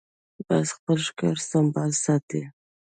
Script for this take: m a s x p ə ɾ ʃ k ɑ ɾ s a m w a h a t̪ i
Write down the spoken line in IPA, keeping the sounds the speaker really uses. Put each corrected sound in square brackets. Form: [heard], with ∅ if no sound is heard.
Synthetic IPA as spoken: [b] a s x p ə [l] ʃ k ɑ ɾ s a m [b] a [s] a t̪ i